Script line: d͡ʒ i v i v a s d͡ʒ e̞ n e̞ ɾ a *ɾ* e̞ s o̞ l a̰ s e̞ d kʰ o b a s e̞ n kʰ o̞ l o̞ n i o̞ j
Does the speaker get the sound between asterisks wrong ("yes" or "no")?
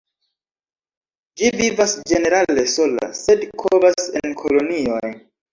yes